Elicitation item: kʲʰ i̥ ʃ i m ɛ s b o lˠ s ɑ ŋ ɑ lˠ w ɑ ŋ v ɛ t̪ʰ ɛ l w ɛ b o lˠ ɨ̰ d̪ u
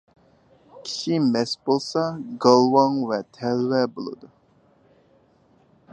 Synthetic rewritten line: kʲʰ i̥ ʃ i m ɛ s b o lˠ s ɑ ɡ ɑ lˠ w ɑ ŋ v ɛ t̪ʰ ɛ l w ɛ b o lˠ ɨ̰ d̪ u